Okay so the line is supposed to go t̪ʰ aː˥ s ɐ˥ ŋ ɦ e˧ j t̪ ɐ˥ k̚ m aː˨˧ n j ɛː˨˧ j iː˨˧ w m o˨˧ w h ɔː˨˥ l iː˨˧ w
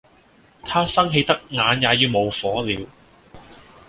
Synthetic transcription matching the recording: t̪ʰ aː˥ s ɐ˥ ŋ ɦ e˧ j t̪ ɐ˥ k̚ ŋ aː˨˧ n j aː˨˧ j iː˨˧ w m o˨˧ w f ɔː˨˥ l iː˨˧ w